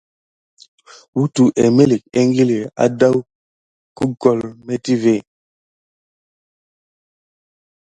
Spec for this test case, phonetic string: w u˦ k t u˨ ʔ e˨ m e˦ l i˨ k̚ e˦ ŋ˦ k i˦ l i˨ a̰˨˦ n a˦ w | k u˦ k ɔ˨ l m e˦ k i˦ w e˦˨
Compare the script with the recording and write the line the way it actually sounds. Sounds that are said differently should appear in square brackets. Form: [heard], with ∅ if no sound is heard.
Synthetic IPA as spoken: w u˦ [∅] t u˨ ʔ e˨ m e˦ l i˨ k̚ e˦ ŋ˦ [ɡ] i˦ l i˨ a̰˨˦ [d] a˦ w | k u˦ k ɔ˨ l m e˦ [t] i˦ [v] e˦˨